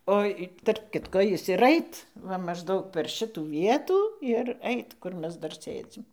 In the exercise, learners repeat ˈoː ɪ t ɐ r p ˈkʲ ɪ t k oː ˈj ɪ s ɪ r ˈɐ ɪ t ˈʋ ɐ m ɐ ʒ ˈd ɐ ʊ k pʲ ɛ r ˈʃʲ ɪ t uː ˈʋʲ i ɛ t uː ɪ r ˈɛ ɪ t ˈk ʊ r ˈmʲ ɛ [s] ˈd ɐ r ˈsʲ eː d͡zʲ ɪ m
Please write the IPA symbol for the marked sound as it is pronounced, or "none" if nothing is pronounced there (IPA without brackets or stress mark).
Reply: s